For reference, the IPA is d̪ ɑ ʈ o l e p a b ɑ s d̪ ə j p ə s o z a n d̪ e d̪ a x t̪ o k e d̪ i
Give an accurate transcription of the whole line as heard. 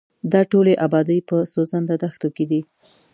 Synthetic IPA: d̪ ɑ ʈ o l e ʔ a b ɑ d̪ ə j p ə s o z a n d̪ a d̪ a x t̪ o k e d̪ i